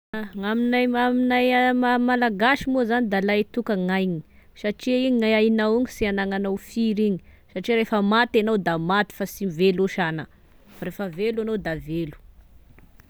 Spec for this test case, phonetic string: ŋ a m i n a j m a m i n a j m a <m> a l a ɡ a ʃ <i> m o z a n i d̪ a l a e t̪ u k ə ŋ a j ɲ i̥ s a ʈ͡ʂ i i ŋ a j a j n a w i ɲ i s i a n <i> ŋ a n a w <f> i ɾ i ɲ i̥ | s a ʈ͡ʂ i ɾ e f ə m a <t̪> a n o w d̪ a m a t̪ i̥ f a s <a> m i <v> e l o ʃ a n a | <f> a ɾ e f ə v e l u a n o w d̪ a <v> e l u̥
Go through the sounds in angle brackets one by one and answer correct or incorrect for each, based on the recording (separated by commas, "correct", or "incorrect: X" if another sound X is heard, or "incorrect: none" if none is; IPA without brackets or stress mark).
correct, correct, incorrect: a, correct, correct, incorrect: i, correct, correct, correct